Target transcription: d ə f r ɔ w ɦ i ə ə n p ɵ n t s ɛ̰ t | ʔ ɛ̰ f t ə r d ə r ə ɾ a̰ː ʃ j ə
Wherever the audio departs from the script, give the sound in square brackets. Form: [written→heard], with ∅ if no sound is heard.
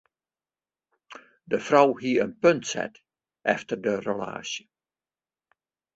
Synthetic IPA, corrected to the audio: d ə f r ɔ w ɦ i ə ə n p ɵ n t s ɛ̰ t | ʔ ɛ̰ f t ə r d ə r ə [ɾ→l] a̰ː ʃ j ə